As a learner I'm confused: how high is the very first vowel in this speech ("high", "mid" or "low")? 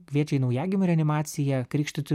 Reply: high